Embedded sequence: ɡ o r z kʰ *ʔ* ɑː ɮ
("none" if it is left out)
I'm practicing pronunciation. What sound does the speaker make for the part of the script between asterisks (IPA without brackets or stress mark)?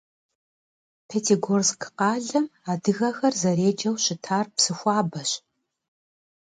q